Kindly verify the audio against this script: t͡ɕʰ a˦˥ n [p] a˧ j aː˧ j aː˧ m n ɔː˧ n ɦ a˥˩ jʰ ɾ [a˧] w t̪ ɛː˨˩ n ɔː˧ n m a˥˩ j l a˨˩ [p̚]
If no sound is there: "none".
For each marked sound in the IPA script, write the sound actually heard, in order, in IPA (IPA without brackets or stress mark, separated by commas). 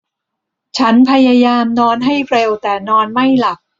pʰ, e˧, k̚